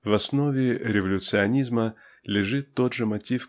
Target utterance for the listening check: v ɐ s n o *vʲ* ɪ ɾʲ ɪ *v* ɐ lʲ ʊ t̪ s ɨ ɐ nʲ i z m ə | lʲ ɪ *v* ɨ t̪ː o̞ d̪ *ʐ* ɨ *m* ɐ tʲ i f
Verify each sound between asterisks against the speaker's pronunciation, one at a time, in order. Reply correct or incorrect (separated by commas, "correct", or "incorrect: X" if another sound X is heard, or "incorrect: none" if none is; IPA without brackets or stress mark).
correct, correct, incorrect: ʐ, correct, correct